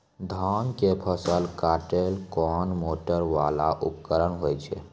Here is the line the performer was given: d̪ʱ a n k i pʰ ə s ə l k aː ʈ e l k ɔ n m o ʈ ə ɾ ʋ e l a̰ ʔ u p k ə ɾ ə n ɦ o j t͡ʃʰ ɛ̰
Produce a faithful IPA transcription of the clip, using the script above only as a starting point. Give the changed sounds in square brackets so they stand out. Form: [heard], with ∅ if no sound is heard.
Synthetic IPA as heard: d̪ʱ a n k [e] pʰ ə s ə l k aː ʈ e l k ɔ n m o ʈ ə ɾ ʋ [a] l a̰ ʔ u p k ə ɾ ə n ɦ o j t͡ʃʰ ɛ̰